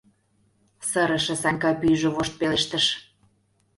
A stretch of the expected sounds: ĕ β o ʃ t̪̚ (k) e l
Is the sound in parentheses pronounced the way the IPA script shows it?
no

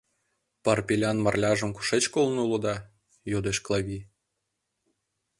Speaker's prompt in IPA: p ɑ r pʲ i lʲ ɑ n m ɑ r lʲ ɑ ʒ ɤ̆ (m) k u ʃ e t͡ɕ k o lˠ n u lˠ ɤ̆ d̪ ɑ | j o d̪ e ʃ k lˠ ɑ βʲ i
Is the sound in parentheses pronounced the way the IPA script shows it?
yes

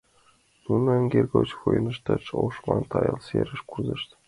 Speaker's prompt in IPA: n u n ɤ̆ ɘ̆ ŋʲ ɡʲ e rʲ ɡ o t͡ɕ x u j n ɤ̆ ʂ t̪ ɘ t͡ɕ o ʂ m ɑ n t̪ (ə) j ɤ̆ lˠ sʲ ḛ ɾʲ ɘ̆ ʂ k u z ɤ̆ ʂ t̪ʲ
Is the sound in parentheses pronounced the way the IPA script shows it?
no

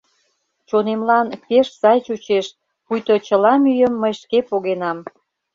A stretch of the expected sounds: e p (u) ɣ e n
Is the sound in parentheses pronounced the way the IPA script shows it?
no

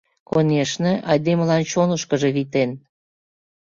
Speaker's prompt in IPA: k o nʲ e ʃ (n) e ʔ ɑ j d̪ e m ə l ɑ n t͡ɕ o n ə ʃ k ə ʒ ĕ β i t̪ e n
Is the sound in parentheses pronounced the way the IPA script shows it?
yes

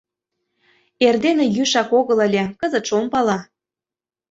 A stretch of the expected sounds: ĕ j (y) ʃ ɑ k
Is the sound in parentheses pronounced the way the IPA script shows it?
yes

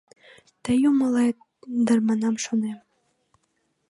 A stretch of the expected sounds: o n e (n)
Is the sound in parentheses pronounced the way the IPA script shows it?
no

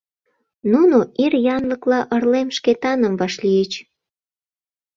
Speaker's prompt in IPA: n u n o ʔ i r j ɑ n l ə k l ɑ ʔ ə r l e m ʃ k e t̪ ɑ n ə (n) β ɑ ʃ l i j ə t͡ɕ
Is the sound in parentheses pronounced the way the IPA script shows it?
no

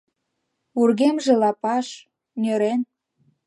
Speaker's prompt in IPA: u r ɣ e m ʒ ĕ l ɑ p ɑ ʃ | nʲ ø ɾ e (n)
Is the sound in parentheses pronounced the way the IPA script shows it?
yes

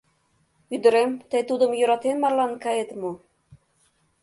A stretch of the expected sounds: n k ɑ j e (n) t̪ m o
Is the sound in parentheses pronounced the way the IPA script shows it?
no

